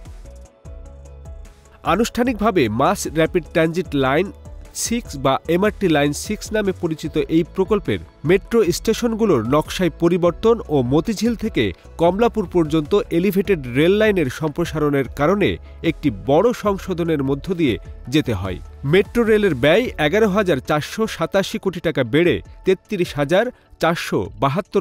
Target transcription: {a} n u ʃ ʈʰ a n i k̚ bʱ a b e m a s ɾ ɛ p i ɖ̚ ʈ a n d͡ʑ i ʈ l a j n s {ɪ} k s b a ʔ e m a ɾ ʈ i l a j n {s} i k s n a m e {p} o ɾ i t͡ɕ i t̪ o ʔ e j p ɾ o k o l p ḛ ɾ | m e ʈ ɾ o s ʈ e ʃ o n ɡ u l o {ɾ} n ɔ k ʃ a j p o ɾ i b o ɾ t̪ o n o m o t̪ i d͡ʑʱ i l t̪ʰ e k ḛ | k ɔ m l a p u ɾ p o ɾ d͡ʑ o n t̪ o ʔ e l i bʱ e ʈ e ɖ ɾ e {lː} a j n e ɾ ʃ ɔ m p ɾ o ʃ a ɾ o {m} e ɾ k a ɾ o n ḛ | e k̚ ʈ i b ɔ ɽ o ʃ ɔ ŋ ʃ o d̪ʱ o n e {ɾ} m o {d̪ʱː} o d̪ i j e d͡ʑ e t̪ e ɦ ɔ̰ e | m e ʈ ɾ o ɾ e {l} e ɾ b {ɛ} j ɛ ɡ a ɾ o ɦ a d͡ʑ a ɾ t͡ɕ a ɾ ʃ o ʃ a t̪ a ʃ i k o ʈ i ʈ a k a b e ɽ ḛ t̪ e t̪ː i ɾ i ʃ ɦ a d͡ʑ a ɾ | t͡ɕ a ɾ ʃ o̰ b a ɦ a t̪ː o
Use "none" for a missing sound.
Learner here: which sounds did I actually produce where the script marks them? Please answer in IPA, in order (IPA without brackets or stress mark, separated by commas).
a, i, s, p, ɾ, lː, n, ɾ, d̪ʱː, l, ɛ